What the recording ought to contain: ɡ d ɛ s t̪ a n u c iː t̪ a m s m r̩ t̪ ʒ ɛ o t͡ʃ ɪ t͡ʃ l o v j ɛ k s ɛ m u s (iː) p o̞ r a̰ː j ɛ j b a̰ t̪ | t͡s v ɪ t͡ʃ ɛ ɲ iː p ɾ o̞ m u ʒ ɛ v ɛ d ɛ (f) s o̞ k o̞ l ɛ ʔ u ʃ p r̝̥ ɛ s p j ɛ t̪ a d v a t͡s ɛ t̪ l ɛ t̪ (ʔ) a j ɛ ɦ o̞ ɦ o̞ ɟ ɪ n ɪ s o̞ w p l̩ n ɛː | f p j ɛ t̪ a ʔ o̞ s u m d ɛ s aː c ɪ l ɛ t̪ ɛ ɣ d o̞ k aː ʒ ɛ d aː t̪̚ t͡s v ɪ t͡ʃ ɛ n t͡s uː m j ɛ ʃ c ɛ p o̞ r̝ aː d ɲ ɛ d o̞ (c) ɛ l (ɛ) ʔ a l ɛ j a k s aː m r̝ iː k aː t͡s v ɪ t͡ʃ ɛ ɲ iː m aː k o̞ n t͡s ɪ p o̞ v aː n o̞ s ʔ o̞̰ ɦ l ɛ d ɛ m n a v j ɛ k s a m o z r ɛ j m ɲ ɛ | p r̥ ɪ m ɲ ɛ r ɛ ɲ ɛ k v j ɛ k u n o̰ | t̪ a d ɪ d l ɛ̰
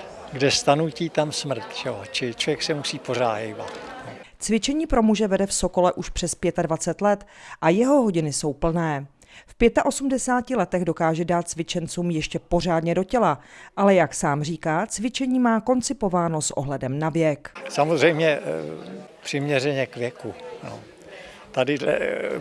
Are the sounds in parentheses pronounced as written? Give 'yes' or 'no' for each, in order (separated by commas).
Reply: yes, yes, yes, yes, no